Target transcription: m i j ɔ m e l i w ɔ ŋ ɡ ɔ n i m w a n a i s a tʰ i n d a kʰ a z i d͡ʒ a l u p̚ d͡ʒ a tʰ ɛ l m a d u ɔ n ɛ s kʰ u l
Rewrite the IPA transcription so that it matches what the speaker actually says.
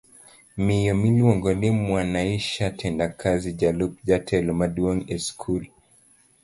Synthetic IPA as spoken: m i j ɔ m i l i w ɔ ŋ ɡ ɔ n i m w a n a i ʃ a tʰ ɛ n d a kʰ a z i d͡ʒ a l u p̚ d͡ʒ a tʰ ɛ l m a d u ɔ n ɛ s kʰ u l